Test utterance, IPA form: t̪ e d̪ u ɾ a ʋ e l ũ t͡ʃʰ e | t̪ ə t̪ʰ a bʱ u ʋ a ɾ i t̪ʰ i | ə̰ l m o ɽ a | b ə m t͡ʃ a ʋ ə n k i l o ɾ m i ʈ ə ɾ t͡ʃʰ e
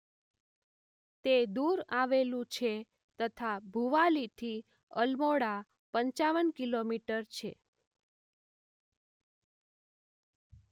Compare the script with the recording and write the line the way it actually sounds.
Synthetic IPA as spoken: t̪ e d̪ u ɾ a ʋ e l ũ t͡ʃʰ e | t̪ ə t̪ʰ a bʱ u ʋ a l i t̪ʰ i | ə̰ l m o ɽ a | p ə ɲ t͡ʃ a ʋ ə n k i l o m i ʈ ə ɾ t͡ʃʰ e